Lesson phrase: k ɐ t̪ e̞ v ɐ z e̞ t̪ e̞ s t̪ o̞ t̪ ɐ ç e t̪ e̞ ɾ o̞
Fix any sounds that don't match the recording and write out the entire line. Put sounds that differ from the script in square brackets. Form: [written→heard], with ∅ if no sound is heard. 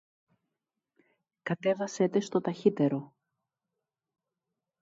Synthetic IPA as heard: k ɐ t̪ e̞ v ɐ [z→s] e̞ t̪ e̞ s t̪ o̞ t̪ ɐ ç [e→i] t̪ e̞ ɾ o̞